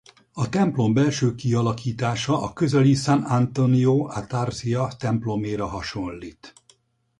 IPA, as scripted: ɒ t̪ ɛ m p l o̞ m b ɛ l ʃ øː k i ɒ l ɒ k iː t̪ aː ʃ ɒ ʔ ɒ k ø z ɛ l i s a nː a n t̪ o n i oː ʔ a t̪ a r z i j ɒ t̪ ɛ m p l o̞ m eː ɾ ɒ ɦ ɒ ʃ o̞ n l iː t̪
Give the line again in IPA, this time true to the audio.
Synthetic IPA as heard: ɒ t̪ ɛ m p l o̞ m b ɛ l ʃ øː k i ɒ l ɒ k iː t̪ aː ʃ ɒ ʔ ɒ k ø z ɛ l i s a n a n t̪ o n i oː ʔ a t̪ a r z i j ɒ t̪ ɛ m p l o̞ m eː ɾ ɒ ɦ ɒ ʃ o̞ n l iː t̪